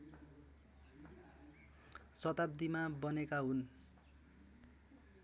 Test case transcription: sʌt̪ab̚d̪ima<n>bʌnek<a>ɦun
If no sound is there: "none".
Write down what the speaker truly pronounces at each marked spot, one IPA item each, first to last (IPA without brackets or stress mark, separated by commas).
none, a